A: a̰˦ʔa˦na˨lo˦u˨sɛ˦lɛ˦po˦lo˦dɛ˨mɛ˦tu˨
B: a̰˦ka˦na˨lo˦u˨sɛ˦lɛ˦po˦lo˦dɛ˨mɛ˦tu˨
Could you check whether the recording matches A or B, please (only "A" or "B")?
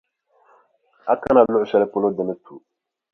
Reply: B